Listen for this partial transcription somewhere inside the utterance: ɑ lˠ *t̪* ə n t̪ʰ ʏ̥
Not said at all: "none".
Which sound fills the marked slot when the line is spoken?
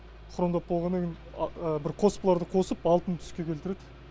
t̪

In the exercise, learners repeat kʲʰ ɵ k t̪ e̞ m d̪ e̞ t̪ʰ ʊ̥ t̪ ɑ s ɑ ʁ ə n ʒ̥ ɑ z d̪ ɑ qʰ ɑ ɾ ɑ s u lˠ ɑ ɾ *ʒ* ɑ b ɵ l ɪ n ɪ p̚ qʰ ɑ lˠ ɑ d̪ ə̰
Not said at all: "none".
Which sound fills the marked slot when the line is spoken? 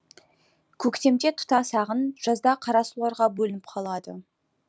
ʁ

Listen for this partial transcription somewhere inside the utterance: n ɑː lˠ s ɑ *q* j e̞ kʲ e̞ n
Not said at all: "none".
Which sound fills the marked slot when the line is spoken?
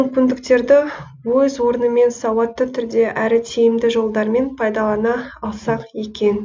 q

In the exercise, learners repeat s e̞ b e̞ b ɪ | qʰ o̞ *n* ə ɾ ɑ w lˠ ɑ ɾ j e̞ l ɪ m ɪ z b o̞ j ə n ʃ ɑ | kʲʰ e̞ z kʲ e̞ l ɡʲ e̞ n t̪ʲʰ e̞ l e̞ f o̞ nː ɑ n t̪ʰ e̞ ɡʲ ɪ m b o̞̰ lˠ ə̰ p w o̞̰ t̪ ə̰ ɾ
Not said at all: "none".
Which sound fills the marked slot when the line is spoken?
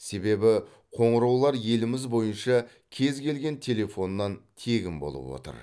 ɴ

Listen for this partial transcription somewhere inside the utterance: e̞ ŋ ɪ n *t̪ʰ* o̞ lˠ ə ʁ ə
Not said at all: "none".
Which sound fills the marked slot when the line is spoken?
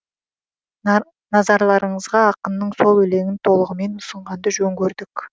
t̪ʰ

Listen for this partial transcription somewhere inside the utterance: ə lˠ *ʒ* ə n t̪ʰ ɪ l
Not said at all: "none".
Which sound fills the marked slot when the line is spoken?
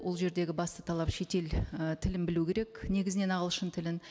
ʃ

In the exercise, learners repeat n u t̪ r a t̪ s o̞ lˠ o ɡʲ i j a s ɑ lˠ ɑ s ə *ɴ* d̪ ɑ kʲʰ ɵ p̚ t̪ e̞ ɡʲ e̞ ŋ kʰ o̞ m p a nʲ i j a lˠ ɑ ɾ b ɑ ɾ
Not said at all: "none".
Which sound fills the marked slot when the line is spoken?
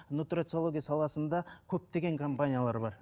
n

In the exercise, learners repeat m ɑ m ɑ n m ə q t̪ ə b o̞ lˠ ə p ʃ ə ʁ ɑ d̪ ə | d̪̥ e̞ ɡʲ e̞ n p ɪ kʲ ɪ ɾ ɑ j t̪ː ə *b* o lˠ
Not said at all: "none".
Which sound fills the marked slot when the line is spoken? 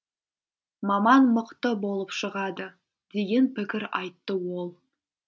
w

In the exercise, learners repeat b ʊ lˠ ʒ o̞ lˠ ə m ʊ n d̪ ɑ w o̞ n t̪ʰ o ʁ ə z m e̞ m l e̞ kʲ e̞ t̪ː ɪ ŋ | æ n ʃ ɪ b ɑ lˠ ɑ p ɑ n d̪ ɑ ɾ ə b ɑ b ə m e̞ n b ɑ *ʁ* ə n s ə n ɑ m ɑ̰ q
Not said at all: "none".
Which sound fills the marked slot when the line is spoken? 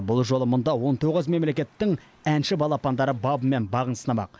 ʁ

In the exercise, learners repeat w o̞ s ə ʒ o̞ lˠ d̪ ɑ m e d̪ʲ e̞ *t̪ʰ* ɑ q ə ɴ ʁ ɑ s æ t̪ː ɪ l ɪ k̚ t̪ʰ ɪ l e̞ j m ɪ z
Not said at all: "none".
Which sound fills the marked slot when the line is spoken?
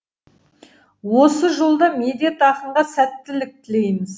t̪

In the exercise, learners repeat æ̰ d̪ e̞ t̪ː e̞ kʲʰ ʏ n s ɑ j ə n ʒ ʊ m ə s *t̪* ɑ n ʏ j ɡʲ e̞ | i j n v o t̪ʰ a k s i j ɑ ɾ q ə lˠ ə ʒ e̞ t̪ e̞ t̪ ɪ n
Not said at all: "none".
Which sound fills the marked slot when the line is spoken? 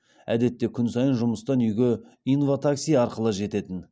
t̪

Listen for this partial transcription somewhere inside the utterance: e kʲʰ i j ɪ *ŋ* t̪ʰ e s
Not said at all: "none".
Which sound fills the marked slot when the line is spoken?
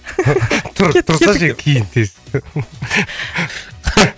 n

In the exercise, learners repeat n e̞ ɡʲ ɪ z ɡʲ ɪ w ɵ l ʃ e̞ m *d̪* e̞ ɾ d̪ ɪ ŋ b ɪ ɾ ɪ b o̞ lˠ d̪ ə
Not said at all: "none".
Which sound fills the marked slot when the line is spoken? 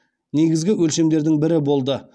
d̪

